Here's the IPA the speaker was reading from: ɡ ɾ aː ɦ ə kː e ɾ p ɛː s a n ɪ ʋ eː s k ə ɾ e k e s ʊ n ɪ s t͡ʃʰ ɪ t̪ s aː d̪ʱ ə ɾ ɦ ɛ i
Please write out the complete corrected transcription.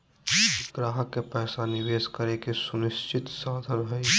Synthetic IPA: ɡ ɾ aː ɦ ə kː e p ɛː s a n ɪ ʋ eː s k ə ɾ e k e s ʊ n ɪ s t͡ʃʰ ɪ t̪ s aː d̪ʱ ə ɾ ɦ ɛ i